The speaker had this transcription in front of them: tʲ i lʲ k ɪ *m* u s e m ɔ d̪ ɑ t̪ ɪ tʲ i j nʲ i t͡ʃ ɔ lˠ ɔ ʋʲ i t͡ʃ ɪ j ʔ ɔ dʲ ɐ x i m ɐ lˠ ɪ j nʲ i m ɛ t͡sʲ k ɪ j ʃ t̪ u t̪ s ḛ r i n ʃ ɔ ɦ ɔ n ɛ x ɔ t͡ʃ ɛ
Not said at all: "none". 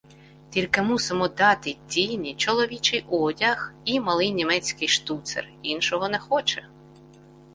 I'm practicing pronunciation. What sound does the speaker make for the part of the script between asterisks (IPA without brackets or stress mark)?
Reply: m